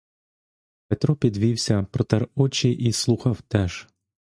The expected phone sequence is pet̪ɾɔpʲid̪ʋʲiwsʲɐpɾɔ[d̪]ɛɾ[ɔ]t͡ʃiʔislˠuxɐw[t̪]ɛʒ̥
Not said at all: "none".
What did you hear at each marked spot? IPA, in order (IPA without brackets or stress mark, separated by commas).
t̪, ɔ, t̪